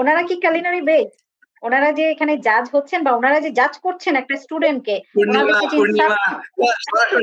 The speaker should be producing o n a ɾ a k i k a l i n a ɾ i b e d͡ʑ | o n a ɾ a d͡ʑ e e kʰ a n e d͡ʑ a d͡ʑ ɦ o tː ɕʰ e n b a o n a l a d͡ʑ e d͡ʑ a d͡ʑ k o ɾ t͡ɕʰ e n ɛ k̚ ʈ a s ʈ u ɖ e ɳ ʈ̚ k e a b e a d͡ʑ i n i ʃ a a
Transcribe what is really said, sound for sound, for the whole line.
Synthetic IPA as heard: o n a ɾ a k i k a l i n a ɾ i b e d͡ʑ | o n a ɾ a d͡ʑ e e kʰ a n e d͡ʑ a d͡ʑ ɦ o tː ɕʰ e n b a o n a ɾ a d͡ʑ e d͡ʑ a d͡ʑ k o ɾ t͡ɕʰ e n ɛ k̚ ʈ a s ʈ u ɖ e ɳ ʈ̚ k e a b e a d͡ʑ i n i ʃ a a